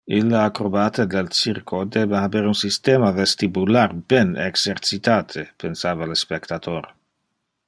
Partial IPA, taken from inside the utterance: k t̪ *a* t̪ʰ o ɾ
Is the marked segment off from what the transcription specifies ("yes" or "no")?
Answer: no